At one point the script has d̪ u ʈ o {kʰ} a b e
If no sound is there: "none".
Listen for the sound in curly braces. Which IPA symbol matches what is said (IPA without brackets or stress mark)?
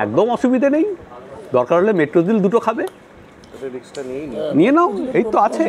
kʰ